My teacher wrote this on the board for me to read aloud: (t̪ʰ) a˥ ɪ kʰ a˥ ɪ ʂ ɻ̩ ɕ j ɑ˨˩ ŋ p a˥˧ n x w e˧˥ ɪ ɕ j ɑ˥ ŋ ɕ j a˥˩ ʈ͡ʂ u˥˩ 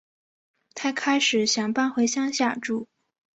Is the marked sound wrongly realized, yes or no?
no